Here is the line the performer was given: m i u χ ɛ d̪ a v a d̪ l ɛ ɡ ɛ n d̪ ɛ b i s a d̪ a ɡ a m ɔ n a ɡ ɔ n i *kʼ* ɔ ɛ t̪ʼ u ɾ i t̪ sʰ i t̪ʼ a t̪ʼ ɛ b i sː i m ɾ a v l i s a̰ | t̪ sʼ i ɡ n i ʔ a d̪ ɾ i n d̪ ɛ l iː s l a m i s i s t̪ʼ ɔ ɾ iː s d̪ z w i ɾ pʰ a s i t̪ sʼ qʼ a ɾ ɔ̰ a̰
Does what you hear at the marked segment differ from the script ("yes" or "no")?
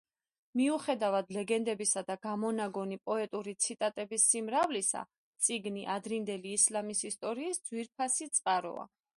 yes